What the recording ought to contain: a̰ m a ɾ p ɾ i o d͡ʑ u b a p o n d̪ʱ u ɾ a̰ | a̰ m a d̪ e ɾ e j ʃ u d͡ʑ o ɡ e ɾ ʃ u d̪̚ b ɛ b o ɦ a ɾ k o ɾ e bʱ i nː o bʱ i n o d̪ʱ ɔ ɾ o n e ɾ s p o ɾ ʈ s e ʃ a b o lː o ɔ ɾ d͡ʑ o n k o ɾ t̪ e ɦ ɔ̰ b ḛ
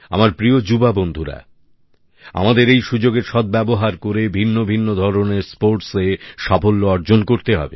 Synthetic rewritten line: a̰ m a ɾ p ɾ i o d͡ʑ u b a b o n d̪ʱ u ɾ a̰ | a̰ m a d̪ e ɾ e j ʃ u d͡ʑ o ɡ e ɾ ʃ ɔ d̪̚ b ɛ b o ɦ a ɾ k o ɾ e bʱ i nː o bʱ i nː o d̪ʱ ɔ ɾ o n e ɾ s p o ɾ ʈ s e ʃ a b o lː o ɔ ɾ d͡ʑ o n k o ɾ t̪ e ɦ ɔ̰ b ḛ

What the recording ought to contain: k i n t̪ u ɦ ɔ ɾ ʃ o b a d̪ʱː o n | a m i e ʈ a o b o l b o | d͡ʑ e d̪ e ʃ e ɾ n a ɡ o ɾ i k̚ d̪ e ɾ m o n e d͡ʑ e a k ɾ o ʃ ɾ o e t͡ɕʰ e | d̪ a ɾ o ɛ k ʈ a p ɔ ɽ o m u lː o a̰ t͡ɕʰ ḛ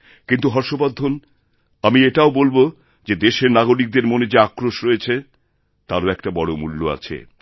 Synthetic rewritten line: k i n t̪ u ɦ ɔ ɾ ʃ o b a d̪ʱː o n | a m i e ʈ a o b o l b o | d͡ʑ e d̪ e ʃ e ɾ n a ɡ o ɾ i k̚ d̪ e ɾ m o n e d͡ʑ e a k ɾ o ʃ ɾ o e t͡ɕʰ e | t̪ a ɾ o ɛ k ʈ a b ɔ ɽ o m u lː o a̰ t͡ɕʰ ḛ

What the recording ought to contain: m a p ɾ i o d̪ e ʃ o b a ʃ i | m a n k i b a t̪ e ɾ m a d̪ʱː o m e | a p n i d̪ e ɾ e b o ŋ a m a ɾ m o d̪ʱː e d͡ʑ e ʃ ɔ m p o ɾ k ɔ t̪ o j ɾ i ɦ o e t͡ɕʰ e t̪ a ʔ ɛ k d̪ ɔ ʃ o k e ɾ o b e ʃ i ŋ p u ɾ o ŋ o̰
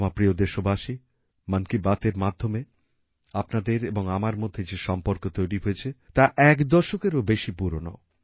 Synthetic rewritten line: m a p ɾ i o d̪ e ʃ o b a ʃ i | m a n k i b a t̪ e ɾ m a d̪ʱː o m e | a p n a d̪ e ɾ e b o ŋ a m a ɾ m o d̪ʱː e d͡ʑ e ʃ ɔ m p o ɾ k o t̪ o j ɾ i ɦ o e t͡ɕʰ e t̪ a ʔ ɛ k d̪ ɔ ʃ o k e ɾ o b e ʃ i p u ɾ o n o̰

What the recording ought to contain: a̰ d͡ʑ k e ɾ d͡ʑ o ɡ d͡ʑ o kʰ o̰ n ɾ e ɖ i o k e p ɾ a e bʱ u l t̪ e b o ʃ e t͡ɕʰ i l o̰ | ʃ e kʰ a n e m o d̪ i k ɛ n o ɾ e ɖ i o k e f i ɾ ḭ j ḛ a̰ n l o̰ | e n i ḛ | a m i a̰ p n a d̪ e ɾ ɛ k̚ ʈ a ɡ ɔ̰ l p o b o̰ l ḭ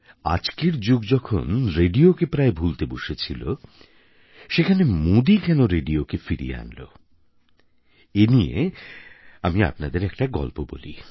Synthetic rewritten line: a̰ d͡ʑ k e ɾ d͡ʑ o ɡ d͡ʑ ɔ kʰ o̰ n ɾ e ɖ i o k e p ɾ a e bʱ u l t̪ e b o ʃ e t͡ɕʰ i l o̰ | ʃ e kʰ a n e m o d̪ i k ɛ n o ɾ e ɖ i o k e f i ɾ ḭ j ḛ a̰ n l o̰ | e n i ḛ | a m i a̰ p n a d̪ e ɾ ɛ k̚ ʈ a ɡ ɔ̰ l p o b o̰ l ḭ

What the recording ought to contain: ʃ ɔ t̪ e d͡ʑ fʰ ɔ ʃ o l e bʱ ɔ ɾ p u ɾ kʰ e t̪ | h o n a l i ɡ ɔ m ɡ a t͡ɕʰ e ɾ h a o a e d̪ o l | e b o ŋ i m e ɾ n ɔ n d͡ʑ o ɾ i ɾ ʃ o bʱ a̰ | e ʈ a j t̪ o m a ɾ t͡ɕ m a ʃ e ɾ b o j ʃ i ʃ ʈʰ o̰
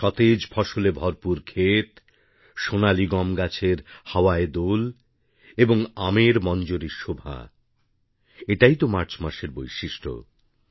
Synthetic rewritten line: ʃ ɔ t̪ e d͡ʑ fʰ ɔ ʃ o l e bʱ ɔ ɾ p u ɾ kʰ e t̪ | ʃ o n a l i ɡ ɔ m ɡ a t͡ɕʰ e ɾ h a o a e d̪ o l | e b o ŋ a m e ɾ m ɔ n d͡ʑ o ɾ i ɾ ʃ o bʱ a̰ | e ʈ a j t̪ o m a ɾ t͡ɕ m a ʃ e ɾ b o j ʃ i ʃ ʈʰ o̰

